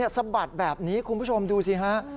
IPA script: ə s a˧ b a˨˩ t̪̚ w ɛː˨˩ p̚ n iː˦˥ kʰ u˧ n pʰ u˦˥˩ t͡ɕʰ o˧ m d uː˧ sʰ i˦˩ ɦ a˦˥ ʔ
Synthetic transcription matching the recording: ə s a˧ b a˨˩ t̪̚ b ɛː˨˩ p̚ n iː˦˥ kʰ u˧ n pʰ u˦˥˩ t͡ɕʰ o˧ m d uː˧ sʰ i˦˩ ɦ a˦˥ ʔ